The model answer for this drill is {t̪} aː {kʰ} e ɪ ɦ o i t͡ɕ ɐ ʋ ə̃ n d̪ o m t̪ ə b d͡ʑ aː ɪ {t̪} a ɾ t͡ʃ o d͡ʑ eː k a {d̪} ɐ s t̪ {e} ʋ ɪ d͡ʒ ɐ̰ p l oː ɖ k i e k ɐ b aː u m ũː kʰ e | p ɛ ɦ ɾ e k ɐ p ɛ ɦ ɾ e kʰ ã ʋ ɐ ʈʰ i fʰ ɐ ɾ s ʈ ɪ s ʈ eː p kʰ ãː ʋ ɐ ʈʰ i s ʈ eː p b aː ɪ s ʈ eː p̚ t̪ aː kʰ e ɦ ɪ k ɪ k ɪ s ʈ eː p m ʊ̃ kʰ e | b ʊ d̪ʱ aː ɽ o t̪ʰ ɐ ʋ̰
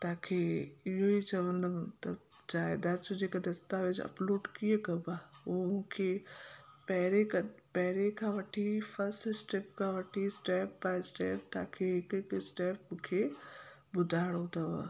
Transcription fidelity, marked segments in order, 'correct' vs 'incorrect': correct, correct, incorrect, correct, incorrect

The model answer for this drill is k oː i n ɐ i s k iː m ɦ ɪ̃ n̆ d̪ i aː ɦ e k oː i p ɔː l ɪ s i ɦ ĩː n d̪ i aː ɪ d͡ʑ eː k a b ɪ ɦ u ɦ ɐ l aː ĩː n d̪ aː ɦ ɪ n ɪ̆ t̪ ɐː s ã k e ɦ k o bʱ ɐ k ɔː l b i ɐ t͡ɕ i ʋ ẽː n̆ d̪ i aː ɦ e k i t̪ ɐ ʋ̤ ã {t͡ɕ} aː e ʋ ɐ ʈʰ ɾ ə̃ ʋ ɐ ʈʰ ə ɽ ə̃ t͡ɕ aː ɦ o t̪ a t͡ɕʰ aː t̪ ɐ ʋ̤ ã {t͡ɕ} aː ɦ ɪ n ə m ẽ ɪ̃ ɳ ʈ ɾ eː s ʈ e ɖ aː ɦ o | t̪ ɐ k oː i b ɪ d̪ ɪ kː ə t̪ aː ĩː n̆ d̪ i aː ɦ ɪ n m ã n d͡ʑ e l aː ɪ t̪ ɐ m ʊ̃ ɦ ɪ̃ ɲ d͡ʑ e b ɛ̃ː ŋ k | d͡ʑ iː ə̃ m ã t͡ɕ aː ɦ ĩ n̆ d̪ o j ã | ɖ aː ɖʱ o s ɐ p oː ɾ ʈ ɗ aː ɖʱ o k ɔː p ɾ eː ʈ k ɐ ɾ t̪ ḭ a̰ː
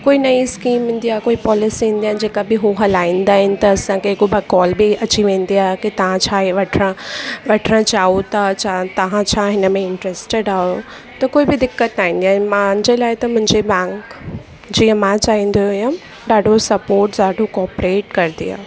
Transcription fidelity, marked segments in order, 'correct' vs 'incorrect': incorrect, incorrect

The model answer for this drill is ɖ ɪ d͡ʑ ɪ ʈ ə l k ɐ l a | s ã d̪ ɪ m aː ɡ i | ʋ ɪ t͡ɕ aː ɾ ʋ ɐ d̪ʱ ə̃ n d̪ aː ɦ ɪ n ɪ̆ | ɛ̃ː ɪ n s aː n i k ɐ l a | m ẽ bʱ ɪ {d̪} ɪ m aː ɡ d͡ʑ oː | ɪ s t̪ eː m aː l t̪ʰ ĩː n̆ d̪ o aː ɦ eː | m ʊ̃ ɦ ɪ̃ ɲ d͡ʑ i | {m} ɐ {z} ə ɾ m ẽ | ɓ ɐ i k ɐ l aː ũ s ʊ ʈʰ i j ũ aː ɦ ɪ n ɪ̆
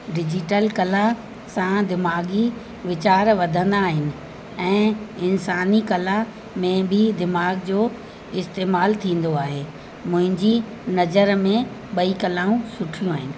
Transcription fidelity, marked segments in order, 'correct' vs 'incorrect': correct, incorrect, correct

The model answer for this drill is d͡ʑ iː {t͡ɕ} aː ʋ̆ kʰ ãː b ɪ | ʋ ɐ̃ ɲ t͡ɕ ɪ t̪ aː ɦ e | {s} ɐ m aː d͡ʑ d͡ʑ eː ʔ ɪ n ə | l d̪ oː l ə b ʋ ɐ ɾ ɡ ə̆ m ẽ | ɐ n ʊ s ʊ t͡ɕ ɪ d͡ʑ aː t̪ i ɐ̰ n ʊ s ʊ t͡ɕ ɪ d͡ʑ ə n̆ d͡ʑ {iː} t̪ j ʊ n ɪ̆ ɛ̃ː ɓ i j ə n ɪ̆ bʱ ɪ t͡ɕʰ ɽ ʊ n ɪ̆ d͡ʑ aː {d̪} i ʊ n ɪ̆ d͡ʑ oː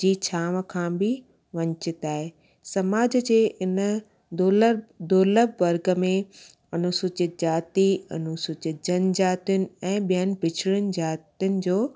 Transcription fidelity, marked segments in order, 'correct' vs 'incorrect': incorrect, correct, incorrect, incorrect

